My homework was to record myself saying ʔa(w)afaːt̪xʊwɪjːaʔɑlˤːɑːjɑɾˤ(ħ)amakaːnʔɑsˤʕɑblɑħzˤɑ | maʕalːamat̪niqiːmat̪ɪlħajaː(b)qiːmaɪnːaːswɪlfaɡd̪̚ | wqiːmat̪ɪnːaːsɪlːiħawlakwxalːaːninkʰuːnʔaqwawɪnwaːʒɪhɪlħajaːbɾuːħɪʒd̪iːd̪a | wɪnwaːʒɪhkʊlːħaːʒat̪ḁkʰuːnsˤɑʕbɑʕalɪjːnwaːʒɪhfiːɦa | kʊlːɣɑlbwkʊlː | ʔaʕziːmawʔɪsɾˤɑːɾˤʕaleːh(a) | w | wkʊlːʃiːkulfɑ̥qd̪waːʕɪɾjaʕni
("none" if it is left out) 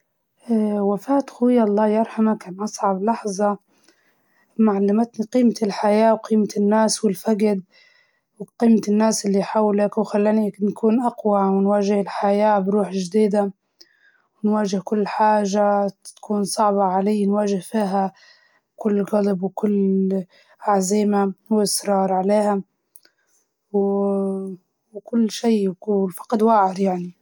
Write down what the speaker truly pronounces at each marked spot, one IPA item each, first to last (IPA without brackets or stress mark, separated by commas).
w, ħ, w, a